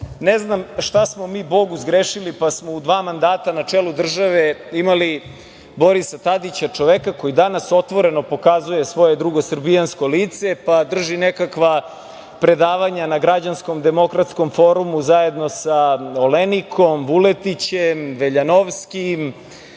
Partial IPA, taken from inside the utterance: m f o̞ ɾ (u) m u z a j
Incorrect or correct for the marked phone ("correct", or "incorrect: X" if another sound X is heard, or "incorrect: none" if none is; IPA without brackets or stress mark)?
correct